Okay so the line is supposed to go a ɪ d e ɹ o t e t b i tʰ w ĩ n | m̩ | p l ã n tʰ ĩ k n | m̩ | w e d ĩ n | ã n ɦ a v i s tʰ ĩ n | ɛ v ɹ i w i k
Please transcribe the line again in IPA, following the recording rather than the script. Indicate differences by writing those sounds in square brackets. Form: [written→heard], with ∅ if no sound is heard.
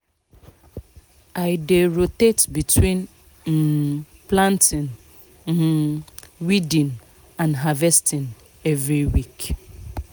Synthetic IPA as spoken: a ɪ d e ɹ o t e t b i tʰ w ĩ n | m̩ | p l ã n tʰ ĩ [k→∅] n | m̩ | w [e→i] d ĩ n | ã n ɦ a v [i→ɛ] s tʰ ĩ n | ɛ v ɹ i w i k